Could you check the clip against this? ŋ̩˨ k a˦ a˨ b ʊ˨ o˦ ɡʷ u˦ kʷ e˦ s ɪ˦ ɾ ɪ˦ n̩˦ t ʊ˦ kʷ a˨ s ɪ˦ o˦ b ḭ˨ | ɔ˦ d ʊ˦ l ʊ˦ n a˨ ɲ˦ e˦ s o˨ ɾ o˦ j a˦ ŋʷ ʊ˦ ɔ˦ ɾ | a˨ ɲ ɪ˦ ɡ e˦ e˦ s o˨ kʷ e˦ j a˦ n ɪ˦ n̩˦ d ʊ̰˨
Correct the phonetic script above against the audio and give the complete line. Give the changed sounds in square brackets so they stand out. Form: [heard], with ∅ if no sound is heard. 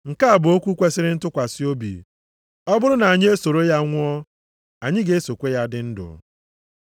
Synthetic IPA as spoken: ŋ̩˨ k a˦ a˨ b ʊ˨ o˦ [kʷ] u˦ kʷ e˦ s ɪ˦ ɾ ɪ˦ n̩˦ t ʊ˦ kʷ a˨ s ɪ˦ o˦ b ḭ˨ | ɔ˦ [b] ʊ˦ [ɾ] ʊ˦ n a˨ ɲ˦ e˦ s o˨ ɾ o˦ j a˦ ŋʷ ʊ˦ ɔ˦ [∅] | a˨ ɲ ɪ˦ ɡ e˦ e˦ s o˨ kʷ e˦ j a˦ [d] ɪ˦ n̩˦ d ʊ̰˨